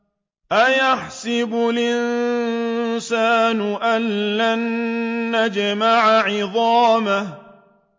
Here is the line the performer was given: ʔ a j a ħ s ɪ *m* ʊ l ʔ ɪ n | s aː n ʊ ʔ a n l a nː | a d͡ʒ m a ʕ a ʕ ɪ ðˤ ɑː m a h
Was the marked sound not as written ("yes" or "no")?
yes